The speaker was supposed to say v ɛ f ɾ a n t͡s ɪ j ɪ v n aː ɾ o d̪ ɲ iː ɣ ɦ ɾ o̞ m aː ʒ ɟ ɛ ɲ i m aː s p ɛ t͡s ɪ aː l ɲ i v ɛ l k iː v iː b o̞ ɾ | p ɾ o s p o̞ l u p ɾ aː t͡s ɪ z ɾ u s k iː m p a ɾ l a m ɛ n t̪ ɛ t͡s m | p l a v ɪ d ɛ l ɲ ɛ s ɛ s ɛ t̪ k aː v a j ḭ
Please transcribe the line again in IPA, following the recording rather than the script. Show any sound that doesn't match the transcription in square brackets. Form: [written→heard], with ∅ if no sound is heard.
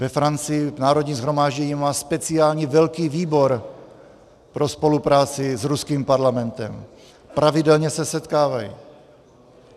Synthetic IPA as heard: v ɛ f ɾ a n t͡s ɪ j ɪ v n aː ɾ o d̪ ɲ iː [ɣ→z] ɦ ɾ o̞ m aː ʒ ɟ ɛ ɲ i m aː s p ɛ t͡s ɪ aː l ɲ i v ɛ l k iː v iː b o̞ ɾ | p ɾ o s p o̞ l u p ɾ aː t͡s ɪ z ɾ u s k iː m p a ɾ l a m ɛ n t̪ ɛ [t͡s→∅] m | p [l→ɾ] a v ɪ d ɛ l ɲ ɛ s ɛ s ɛ t̪ k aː v a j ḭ